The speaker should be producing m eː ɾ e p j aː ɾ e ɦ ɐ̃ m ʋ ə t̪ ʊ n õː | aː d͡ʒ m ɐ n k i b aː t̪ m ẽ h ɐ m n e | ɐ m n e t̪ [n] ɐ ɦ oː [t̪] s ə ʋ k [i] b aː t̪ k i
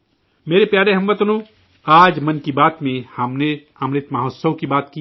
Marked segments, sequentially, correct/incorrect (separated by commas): incorrect, correct, correct